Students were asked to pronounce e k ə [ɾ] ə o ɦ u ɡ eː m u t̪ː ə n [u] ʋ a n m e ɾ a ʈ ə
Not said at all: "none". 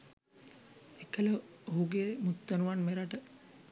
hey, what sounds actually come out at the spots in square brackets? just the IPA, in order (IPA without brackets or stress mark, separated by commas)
l, u